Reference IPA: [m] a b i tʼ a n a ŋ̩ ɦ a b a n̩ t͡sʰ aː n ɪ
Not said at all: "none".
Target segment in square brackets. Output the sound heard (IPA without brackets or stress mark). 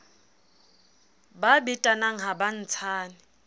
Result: b